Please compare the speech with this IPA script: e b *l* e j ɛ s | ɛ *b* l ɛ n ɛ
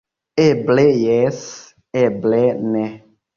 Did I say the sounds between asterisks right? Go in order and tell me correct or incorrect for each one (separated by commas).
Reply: correct, correct